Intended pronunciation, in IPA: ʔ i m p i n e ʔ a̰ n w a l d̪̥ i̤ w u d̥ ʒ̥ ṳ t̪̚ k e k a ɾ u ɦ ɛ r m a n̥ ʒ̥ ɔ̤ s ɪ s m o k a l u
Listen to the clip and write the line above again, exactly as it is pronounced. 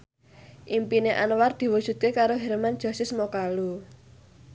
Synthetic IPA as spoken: ʔ i m p i n e ʔ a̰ n w a r d̪̥ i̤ w u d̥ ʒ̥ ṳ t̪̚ k e k a ɾ o ɦ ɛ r m a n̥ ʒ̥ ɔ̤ s ɪ s m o k a l u